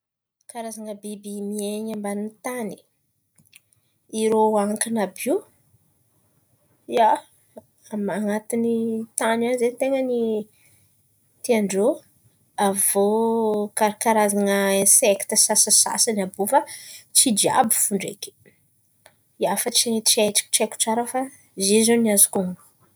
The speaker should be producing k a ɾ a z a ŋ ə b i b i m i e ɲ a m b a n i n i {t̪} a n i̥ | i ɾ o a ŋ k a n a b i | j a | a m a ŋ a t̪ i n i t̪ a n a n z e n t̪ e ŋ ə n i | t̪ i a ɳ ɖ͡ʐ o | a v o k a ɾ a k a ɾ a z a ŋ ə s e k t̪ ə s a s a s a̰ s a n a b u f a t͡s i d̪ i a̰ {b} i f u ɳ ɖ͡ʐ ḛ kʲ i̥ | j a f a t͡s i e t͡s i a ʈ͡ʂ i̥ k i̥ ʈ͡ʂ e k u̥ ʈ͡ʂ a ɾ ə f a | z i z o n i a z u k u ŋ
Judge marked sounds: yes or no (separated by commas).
yes, yes